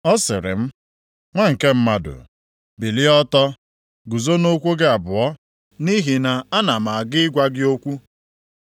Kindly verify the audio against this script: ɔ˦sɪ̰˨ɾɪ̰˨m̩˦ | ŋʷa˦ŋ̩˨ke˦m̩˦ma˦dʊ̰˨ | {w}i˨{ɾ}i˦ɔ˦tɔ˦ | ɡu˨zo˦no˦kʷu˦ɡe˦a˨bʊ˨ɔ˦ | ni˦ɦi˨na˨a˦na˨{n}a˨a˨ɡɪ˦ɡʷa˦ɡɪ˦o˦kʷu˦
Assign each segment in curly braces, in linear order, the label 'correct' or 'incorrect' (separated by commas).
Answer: incorrect, incorrect, incorrect